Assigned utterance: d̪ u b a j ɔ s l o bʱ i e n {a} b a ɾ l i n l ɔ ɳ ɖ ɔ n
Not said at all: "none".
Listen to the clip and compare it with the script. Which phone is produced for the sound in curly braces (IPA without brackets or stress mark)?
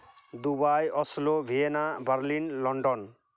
a